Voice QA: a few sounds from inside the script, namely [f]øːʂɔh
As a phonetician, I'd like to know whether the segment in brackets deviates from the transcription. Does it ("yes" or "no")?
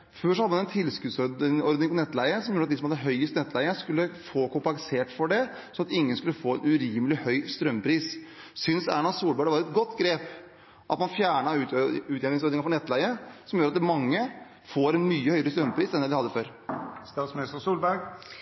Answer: no